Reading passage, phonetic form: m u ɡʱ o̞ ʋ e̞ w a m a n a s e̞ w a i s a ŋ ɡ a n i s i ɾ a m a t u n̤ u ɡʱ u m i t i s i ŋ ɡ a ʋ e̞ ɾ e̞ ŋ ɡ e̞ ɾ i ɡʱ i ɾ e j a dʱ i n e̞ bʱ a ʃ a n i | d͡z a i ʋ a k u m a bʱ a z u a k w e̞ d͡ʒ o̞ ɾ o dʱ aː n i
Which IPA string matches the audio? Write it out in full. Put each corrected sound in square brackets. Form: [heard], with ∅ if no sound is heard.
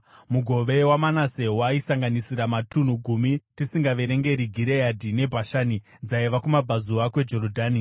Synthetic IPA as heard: m u ɡʱ o̞ ʋ e̞ w a m a n a s e̞ w a i s a ŋ ɡ a n i s i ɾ a m a t u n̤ u ɡʱ u m i t i s i ŋ ɡ a ʋ e̞ ɾ e̞ ŋ ɡ e̞ ɾ i ɡʱ i ɾ e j a dʱ i n e̞ bʱ a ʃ a n i | d͡z a i ʋ a k u m a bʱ a z u a k w e̞ d͡ʒ o̞ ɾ o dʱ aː n i